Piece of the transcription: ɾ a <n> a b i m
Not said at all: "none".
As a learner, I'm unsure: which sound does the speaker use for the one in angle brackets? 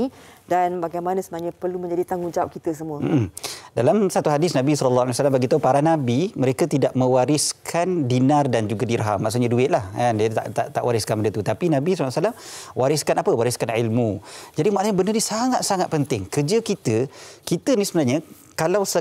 n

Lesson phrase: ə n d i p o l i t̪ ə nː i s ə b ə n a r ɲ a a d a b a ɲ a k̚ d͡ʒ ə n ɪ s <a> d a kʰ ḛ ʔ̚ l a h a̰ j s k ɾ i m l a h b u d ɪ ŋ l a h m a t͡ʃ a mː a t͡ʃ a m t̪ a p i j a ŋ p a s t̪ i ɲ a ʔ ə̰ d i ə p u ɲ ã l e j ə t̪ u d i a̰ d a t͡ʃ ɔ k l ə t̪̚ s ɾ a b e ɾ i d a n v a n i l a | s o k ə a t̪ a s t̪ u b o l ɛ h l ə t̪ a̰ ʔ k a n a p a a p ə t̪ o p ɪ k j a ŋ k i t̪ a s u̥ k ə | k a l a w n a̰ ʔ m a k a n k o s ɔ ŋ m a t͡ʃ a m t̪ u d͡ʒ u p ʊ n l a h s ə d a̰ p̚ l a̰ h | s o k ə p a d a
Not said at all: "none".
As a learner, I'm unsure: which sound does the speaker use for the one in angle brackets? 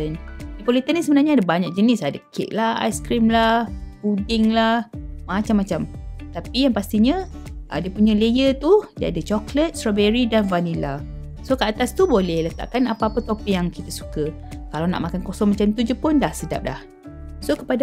a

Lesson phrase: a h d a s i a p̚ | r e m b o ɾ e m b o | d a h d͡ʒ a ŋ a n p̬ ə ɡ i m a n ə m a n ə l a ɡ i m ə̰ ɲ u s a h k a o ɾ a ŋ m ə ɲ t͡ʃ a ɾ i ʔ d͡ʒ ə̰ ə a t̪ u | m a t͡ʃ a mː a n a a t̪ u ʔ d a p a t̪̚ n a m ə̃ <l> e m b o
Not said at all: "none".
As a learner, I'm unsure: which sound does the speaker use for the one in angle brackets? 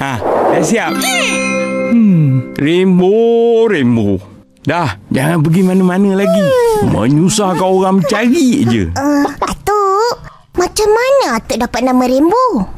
ɾ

